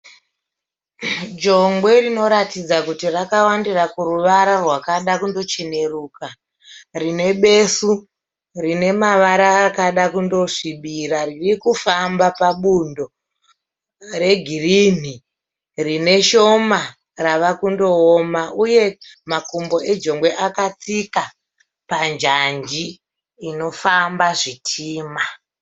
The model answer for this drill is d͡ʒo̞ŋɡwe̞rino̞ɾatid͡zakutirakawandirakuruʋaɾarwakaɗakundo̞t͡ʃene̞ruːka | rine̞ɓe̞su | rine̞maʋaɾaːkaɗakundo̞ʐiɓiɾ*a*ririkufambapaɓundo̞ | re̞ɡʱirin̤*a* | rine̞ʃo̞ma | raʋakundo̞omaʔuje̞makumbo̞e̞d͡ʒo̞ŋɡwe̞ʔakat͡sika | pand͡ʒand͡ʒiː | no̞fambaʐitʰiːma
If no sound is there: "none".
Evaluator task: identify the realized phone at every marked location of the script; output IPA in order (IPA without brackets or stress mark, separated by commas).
a, i